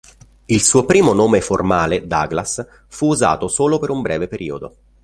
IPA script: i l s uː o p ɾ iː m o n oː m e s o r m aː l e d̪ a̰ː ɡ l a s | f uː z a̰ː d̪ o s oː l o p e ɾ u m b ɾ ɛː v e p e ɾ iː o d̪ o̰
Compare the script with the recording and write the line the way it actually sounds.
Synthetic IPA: i l s uː o p ɾ iː m o n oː m e f o r m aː l e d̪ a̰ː ɡ l a s | f uː z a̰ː t̪ o s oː l o p e ɾ u m b ɾ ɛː v e p e ɾ iː o d̪ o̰